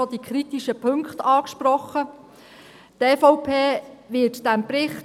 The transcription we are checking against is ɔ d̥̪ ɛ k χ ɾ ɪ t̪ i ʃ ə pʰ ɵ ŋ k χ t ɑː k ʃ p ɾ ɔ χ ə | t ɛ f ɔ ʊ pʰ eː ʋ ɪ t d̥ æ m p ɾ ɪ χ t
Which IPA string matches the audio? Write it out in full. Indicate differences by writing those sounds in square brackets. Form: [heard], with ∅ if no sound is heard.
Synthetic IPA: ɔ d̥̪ [i] k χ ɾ [i] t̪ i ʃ ə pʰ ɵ ŋ k χ t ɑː k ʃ p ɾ ɔ χ ə | t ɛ f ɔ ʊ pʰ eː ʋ ɪ t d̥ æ m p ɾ ɪ χ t